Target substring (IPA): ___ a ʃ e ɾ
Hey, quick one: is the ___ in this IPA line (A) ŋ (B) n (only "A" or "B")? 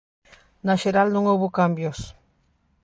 B